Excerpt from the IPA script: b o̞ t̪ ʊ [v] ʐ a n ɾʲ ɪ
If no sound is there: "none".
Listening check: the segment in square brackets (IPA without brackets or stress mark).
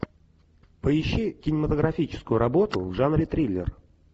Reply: v